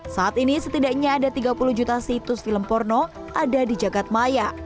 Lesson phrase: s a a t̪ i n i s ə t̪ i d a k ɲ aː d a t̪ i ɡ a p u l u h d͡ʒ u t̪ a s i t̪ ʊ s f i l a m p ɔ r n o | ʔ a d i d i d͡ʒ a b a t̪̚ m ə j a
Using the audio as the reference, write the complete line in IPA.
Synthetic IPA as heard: s a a t̪ i n i s ə t̪ i d a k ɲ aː d a t̪ i ɡ a p u l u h d͡ʒ u t̪ a s i t̪ ʊ s f i l ə m p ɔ r n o | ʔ a d a d i d͡ʒ a ɡ a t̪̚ m a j a